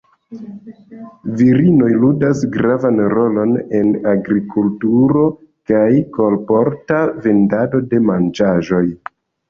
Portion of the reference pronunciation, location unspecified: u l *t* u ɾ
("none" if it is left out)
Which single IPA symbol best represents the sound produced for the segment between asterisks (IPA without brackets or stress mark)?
t